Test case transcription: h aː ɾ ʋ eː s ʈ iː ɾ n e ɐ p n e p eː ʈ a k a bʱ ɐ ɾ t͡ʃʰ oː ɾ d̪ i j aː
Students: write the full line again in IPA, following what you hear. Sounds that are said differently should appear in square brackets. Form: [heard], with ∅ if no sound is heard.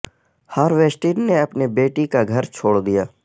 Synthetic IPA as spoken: h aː ɾ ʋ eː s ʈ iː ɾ n e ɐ p n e [b] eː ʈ [i] k a [ɡʱ] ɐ ɾ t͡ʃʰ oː [ɽ] d̪ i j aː